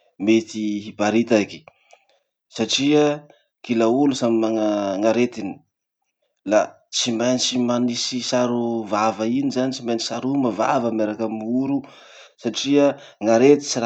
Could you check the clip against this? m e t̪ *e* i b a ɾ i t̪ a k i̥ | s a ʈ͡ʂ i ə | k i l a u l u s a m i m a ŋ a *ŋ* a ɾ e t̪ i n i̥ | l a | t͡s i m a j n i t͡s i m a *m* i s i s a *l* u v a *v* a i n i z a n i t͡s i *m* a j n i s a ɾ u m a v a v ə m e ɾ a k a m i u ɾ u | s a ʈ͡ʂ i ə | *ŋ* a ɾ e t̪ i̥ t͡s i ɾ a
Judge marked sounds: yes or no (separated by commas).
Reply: no, yes, no, no, yes, yes, yes